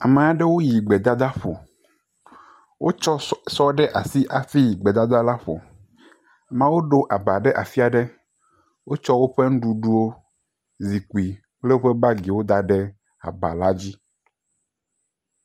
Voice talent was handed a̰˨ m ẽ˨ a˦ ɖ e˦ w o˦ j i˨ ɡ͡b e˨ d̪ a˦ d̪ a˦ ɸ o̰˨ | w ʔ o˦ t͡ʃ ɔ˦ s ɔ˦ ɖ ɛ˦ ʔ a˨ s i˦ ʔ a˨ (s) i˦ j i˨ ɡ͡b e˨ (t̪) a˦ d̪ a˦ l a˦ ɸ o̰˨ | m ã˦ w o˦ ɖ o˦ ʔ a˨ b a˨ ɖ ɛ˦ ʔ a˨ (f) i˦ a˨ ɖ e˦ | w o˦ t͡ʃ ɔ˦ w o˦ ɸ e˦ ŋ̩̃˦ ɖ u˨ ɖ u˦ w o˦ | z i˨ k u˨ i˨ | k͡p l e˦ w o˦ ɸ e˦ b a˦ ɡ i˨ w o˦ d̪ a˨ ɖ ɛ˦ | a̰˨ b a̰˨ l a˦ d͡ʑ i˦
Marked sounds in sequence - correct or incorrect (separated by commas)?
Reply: incorrect, incorrect, correct